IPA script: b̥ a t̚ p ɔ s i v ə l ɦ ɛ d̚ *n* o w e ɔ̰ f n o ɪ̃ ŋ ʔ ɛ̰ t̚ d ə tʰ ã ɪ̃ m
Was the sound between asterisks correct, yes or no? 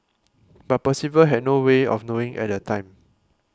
yes